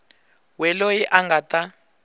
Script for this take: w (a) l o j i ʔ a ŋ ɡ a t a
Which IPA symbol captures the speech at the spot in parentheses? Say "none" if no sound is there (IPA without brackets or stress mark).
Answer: ɛ